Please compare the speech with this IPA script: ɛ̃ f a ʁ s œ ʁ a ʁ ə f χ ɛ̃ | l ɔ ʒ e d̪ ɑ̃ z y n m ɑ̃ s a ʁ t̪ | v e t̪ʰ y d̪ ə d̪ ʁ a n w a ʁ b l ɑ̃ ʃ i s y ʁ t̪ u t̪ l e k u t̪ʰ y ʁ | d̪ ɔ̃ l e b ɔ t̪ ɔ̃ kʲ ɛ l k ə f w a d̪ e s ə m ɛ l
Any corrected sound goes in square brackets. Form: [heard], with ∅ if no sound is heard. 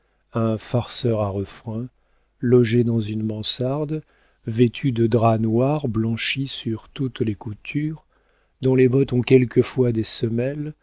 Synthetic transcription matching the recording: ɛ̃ f a ʁ s œ ʁ a ʁ ə f χ ɛ̃ | l ɔ ʒ e d̪ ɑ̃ z y n m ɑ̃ s a ʁ [d̪] | v e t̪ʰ y d̪ ə d̪ ʁ a n w a ʁ b l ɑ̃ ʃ i s y ʁ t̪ u t̪ l e k u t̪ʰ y ʁ | d̪ ɔ̃ l e b ɔ t̪ ɔ̃ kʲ ɛ l k ə f w a d̪ e s ə m ɛ l

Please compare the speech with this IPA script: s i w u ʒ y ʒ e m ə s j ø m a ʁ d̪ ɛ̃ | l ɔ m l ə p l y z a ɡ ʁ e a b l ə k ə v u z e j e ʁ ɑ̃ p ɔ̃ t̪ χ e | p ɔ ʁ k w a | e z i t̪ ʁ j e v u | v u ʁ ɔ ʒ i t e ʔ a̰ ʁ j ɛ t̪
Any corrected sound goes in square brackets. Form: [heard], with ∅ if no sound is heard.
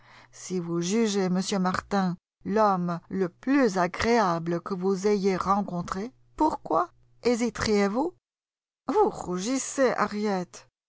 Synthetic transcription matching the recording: s i [v] u ʒ y ʒ e m ə s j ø m a ʁ [t̪] ɛ̃ | l ɔ m l ə p l y z a ɡ ʁ e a b l ə k ə v u z e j e ʁ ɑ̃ [k] ɔ̃ t̪ χ e | p [u] ʁ k w a | e z i t̪ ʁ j e v u | v u ʁ [u] ʒ i [s] e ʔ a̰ ʁ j ɛ t̪

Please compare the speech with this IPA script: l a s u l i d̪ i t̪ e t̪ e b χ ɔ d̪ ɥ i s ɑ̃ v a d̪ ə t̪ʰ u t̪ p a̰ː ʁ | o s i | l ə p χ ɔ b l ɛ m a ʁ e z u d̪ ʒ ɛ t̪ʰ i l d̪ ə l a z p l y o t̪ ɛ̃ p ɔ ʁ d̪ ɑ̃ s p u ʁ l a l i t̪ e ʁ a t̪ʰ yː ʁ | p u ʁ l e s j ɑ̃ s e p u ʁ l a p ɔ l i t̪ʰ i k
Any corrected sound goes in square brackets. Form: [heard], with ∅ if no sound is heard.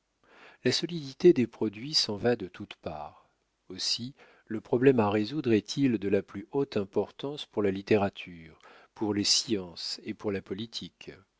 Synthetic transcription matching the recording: l a s [ɔ] l i d̪ i t̪ e [d̪] e [p] χ ɔ d̪ ɥ i s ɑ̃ v a d̪ ə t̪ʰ u t̪ p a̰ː ʁ | o s i | l ə p χ ɔ b l ɛ m a ʁ e z u d̪ [ʁ] ɛ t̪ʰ i l d̪ ə l a [∅] p l y o t̪ ɛ̃ p ɔ ʁ [t̪] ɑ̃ s p u ʁ l a l i t̪ e ʁ a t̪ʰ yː ʁ | p u ʁ l e s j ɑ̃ s e p u ʁ l a p ɔ l i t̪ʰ i k

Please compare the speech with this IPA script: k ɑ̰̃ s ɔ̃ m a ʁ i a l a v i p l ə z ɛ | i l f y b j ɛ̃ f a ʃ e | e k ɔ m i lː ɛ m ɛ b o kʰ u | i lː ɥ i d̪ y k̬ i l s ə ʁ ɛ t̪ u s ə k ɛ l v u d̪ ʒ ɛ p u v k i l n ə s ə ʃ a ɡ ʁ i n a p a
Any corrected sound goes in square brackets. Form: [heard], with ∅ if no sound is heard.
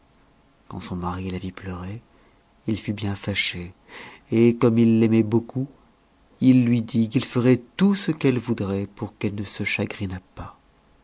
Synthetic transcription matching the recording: k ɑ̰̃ s ɔ̃ m a ʁ i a l a v i p l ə [ʁ] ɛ | i l f y b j ɛ̃ f a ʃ e | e k ɔ m i lː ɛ m ɛ b o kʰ u | i lː ɥ i d̪ [i] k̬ i l [f] ə ʁ ɛ t̪ u s ə k ɛ l v u d̪ [ʁ] ɛ p u [ʁ] k [ɛ] l n ə s ə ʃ a ɡ ʁ i n a p a

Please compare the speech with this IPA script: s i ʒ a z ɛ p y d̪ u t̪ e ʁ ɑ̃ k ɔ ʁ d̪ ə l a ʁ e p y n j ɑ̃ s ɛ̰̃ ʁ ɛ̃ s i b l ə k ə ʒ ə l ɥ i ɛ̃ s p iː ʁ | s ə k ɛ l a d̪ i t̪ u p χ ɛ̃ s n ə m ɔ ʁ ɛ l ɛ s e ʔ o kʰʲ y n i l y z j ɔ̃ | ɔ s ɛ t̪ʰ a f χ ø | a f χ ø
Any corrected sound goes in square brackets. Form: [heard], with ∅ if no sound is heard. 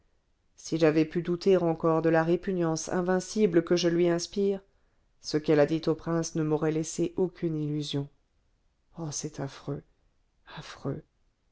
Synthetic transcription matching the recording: s i ʒ a [v] ɛ p y d̪ u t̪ e ʁ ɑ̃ k ɔ ʁ d̪ ə l a ʁ e p y n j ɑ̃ s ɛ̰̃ [v] ɛ̃ s i b l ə k ə ʒ ə l ɥ i ɛ̃ s p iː ʁ | s ə k ɛ l a d̪ i t̪ [o] p χ ɛ̃ s n ə m ɔ ʁ ɛ l ɛ s e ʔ o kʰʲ y n i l y z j ɔ̃ | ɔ s ɛ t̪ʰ a f χ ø | a f χ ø

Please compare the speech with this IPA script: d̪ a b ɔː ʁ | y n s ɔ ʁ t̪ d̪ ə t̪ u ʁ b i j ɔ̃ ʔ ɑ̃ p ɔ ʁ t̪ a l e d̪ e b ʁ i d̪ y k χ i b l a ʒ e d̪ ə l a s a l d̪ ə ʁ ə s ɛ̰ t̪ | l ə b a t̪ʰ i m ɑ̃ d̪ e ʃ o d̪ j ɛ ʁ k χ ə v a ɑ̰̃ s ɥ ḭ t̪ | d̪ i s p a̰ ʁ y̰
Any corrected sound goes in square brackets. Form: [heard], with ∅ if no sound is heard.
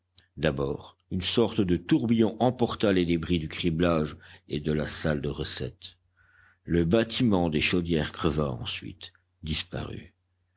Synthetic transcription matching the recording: d̪ a b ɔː ʁ | y n s ɔ ʁ t̪ d̪ ə t̪ u ʁ b i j ɔ̃ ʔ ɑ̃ p ɔ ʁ t̪ a l e d̪ e b ʁ i d̪ y k χ i b l a ʒ e d̪ ə l a s a l d̪ ə ʁ ə s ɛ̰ t̪ | l ə b a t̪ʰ i m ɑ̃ d̪ e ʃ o d̪ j ɛ ʁ k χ ə v a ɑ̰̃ s ɥ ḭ t̪ | d̪ i s p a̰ ʁ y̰

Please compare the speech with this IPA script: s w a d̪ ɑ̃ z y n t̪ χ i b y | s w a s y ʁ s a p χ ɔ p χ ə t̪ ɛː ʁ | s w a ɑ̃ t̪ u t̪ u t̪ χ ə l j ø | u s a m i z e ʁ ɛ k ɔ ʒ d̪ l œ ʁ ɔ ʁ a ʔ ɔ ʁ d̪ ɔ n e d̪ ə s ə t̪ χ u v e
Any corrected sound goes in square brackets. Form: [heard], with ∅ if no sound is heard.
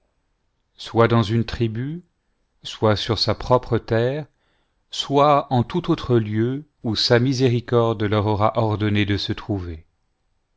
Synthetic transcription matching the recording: s w a d̪ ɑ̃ z y n t̪ χ i b y | s w a s y ʁ s a p χ ɔ p χ ə t̪ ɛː ʁ | s w a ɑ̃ t̪ u t̪ [o] t̪ χ ə l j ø | u s a m i z e ʁ [i] k ɔ [ʁ] d̪ l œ ʁ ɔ ʁ a ʔ ɔ ʁ d̪ ɔ n e d̪ ə s ə t̪ χ u v e

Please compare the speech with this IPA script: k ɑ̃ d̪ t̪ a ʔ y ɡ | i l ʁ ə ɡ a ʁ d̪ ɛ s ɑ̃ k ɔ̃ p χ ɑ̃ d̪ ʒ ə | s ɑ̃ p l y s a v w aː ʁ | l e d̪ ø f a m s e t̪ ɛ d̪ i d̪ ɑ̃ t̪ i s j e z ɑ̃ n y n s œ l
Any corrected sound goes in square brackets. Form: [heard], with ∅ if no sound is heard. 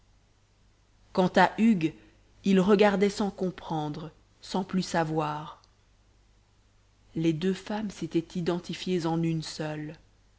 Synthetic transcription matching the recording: k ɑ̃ [∅] t̪ a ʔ y ɡ | i l ʁ ə ɡ a ʁ d̪ ɛ s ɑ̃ k ɔ̃ p χ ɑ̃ d̪ [ʁ] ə | s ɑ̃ p l y s a v w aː ʁ | l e d̪ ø f a m s e t̪ ɛ [t̪] i d̪ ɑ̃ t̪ i [f] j e z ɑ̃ n y n s œ l

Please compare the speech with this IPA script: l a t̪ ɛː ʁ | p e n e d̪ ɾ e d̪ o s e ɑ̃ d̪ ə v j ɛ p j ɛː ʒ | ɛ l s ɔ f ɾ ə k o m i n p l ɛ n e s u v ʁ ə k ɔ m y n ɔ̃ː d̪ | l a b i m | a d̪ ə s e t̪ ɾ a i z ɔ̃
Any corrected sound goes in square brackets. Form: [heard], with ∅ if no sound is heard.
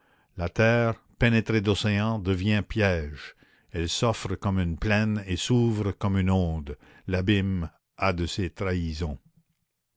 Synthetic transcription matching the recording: l a t̪ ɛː ʁ | p e n e [t̪] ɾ e d̪ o s e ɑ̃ d̪ ə v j [ɛ̃] p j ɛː ʒ | ɛ l s ɔ f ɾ ə k [ɔ] m [y] n p l ɛ n e s u v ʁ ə k ɔ m y n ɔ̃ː d̪ | l a b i m | a d̪ ə s e t̪ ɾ a i z ɔ̃

